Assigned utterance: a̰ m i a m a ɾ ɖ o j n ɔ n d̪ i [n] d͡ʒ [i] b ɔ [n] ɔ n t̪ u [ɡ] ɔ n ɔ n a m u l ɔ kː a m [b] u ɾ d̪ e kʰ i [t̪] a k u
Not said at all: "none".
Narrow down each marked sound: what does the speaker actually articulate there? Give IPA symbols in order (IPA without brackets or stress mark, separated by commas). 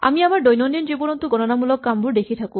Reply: n, i, n, ɡ, b, t̪ʰ